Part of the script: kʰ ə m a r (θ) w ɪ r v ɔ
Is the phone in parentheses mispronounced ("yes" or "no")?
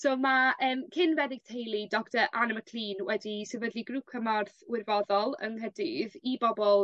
no